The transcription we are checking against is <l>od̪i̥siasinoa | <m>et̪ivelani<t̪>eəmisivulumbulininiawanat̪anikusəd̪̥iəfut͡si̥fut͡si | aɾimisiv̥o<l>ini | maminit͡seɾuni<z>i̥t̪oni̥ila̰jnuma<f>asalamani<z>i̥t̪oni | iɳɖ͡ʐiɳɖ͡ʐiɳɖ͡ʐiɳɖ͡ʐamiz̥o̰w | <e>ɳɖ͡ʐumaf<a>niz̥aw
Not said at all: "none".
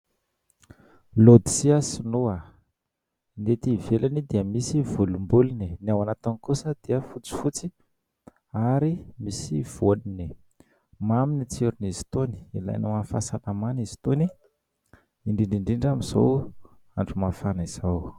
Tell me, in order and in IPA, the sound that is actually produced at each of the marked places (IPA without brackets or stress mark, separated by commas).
l, n, d̪, l, z, f, z, a, a